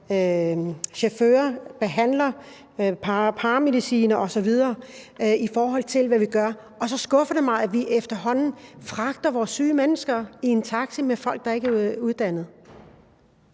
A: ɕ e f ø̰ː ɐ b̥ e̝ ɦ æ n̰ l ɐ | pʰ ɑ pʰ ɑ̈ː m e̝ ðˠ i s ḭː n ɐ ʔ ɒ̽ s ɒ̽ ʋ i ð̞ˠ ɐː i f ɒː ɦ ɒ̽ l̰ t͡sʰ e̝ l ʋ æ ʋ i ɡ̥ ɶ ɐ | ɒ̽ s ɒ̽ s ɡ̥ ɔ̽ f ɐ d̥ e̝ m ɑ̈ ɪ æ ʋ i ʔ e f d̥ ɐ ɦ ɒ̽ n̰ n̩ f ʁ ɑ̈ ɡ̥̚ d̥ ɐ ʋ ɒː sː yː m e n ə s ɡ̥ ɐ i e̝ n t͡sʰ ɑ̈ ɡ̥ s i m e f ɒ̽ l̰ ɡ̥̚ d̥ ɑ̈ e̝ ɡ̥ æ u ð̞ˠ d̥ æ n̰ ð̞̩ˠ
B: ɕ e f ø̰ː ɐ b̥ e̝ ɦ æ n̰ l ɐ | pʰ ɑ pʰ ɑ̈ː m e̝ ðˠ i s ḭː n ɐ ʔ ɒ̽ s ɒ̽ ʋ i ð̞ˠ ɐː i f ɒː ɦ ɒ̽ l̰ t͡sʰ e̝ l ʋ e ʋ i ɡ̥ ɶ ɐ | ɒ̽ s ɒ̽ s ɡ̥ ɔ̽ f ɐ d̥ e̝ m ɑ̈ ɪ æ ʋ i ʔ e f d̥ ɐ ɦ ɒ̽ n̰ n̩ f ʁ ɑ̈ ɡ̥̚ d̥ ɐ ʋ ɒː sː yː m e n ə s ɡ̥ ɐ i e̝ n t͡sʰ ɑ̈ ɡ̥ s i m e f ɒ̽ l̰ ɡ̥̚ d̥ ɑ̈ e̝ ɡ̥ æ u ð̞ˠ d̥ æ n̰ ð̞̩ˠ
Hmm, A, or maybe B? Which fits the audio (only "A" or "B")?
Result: A